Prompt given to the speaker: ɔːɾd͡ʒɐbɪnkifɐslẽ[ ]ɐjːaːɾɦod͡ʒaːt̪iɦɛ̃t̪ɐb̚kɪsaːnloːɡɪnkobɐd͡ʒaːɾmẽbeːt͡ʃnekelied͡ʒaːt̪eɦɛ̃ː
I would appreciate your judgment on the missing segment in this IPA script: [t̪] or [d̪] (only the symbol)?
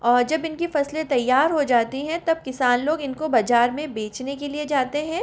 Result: t̪